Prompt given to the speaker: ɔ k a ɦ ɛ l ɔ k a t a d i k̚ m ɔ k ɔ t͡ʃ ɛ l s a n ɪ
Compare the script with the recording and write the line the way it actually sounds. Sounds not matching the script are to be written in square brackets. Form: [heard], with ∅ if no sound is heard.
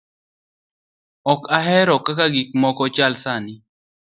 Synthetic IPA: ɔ k a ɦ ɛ [ɾ] ɔ k a [k] a [ɡ] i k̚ m ɔ k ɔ t͡ʃ [a] l s a n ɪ